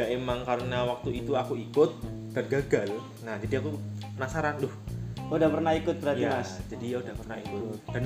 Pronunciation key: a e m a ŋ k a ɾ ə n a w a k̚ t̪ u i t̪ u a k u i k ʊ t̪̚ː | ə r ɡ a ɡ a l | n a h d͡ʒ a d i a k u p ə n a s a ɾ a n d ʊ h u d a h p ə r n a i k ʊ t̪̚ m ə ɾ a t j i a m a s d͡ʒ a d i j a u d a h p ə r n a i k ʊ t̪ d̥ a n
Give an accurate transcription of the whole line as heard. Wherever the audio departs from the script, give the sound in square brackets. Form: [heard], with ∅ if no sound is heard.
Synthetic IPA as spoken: a e m a ŋ k a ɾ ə n a w a k̚ t̪ u i t̪ u a k u i k ʊ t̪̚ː | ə r ɡ a ɡ a l | n a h d͡ʒ a d i a k u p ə n a s a ɾ a n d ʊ h u d a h p ə r n a i k ʊ t̪̚ [b] ə ɾ a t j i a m a s d͡ʒ a d i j a u d a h p ə r n a i k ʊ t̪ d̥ a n